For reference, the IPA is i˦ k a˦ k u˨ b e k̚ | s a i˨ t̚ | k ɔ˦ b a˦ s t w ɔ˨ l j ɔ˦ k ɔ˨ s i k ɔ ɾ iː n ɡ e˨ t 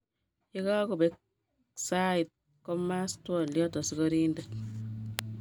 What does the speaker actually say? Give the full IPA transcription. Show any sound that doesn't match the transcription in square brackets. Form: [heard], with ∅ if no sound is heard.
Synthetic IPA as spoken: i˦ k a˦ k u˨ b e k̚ | s a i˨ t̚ | k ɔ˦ [m] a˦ s t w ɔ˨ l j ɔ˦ [t] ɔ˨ s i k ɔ ɾ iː n [d] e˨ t